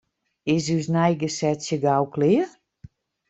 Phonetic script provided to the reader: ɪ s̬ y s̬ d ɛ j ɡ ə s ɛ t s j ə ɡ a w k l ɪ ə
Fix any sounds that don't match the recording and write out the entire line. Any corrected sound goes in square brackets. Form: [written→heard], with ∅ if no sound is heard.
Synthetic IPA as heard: ɪ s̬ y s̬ [d→n] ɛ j ɡ ə s ɛ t s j ə ɡ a w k l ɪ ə